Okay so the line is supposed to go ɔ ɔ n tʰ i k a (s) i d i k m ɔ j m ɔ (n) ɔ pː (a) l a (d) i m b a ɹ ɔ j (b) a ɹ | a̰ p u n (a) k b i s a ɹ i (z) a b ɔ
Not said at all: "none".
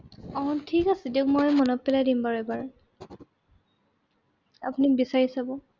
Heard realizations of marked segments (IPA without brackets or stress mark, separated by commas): s, n, ɛ, d, b, i, s